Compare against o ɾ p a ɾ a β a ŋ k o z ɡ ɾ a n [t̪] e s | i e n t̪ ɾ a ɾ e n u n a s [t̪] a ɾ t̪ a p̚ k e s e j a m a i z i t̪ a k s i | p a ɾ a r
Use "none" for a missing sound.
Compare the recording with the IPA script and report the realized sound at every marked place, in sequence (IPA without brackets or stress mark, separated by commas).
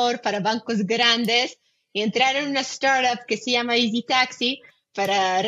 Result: d̪, t̪